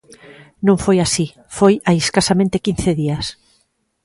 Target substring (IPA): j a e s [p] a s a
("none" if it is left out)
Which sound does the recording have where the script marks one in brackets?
k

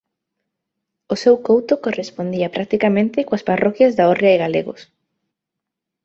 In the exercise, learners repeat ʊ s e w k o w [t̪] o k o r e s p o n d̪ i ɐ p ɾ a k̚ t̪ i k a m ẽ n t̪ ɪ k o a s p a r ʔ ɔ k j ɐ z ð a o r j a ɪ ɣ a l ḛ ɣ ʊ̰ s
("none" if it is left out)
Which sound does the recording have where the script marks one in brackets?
t̪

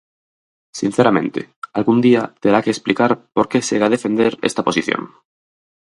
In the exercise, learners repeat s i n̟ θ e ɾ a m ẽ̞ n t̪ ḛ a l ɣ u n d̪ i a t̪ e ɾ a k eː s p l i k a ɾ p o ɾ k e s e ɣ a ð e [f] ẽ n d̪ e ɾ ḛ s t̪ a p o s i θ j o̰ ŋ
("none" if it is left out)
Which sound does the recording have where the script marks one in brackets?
f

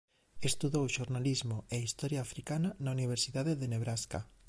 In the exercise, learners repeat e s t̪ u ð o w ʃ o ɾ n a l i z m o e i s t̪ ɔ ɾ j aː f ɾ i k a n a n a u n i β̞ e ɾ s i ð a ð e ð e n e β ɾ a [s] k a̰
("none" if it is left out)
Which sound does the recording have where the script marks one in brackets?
s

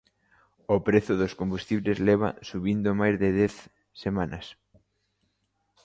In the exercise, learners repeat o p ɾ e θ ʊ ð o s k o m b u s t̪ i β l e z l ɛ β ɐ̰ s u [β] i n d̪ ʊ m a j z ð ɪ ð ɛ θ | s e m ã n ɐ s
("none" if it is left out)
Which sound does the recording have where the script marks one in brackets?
β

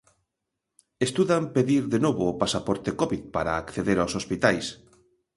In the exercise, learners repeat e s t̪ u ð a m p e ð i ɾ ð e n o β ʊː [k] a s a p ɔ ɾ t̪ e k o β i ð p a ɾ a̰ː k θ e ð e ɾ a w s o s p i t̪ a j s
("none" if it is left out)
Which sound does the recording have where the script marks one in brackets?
p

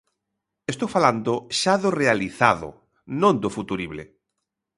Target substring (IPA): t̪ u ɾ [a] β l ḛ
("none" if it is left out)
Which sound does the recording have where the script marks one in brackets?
i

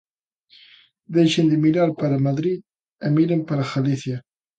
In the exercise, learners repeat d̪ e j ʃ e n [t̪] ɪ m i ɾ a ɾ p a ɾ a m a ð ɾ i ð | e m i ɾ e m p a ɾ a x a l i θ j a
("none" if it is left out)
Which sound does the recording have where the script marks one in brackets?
d̪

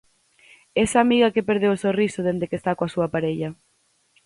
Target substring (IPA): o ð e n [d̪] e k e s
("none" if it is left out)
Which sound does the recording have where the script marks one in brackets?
d̪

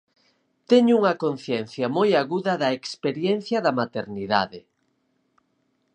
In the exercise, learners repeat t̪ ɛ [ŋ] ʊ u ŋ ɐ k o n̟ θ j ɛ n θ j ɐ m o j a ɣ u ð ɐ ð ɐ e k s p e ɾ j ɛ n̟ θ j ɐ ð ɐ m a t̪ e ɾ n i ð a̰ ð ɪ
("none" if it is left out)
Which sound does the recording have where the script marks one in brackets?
ɲ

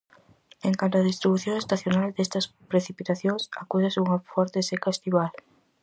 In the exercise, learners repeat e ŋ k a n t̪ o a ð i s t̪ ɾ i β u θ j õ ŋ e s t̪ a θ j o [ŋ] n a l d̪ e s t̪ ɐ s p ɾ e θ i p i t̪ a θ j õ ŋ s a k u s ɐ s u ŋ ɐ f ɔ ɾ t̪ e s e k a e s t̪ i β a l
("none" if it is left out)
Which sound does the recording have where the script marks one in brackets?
none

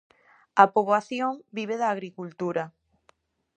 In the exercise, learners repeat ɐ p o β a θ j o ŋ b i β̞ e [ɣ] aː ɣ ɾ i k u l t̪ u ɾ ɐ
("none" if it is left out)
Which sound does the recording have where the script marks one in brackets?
ð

